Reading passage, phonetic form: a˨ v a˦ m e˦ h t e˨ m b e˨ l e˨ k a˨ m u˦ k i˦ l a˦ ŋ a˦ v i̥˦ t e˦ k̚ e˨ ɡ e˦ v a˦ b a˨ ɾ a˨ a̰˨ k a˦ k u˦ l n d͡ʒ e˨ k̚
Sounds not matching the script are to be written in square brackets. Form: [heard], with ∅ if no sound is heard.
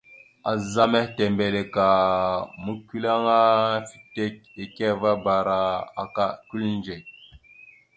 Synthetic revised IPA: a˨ [z] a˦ m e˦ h t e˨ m b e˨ l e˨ k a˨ m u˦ k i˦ l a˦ ŋ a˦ [f] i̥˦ t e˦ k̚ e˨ [k] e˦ v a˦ b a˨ ɾ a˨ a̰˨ k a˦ k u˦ l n d͡ʒ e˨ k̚